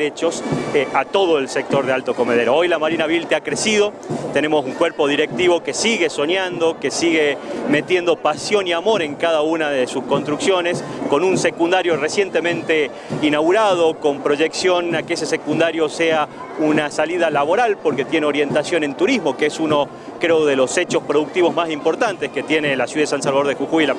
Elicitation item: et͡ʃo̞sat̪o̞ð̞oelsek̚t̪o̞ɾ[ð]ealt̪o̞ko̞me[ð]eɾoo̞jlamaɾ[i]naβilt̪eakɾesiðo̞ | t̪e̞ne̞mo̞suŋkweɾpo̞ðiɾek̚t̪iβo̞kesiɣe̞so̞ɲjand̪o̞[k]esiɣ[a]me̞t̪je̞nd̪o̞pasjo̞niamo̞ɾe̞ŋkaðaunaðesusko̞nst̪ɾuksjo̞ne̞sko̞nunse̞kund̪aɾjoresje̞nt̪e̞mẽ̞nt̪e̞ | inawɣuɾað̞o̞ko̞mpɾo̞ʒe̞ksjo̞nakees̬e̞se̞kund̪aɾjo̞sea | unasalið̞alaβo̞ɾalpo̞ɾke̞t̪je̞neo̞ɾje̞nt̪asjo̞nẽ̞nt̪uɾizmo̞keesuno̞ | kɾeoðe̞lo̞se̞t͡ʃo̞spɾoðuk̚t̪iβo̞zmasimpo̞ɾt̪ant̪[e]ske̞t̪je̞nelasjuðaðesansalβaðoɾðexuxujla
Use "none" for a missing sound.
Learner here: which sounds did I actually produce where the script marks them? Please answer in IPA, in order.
ð, ð, i, k, e, e

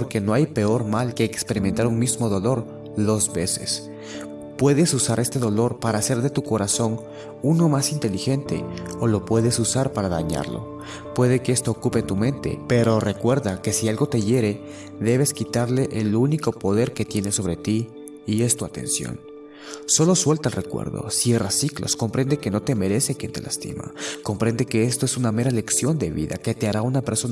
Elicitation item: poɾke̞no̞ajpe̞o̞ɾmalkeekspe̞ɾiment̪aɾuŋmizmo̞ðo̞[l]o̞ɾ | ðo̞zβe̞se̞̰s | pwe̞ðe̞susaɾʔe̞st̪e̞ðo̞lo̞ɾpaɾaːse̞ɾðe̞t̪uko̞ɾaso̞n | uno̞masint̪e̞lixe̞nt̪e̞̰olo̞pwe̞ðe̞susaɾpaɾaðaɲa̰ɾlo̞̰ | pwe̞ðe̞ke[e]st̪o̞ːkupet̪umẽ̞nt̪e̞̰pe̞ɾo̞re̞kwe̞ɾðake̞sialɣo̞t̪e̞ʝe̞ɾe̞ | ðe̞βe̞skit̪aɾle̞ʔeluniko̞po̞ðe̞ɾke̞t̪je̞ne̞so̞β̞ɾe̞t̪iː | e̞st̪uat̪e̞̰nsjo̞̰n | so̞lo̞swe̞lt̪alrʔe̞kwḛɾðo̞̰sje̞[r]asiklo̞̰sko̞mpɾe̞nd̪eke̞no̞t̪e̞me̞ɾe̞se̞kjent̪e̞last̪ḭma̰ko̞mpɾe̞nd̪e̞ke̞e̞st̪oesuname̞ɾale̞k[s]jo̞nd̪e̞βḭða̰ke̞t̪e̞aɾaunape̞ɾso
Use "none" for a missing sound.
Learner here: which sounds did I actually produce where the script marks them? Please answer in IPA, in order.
l, e, r, s

